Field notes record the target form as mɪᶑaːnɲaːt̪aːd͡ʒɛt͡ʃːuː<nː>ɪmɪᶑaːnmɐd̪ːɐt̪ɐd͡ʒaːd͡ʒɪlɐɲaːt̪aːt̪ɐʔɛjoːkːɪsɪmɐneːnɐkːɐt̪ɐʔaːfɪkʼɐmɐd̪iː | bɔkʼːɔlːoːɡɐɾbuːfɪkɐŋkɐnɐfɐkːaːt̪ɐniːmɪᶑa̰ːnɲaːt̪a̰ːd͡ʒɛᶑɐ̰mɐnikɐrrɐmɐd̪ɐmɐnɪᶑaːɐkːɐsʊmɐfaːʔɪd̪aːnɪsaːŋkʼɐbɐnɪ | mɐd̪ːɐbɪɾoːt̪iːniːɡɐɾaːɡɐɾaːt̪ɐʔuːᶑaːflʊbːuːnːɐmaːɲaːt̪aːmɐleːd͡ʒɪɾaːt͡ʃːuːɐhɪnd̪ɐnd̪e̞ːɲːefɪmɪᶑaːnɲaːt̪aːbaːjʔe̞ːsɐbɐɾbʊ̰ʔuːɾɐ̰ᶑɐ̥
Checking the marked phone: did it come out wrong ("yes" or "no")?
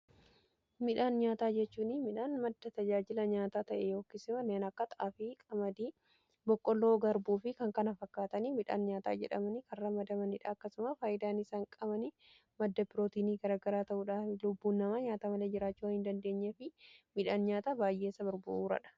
yes